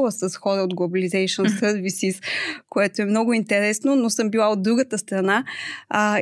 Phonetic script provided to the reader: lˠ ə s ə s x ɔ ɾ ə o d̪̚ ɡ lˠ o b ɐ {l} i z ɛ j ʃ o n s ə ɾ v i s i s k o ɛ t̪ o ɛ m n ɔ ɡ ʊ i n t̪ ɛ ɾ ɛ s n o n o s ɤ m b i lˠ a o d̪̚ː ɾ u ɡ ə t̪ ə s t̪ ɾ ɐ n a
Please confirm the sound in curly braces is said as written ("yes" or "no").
yes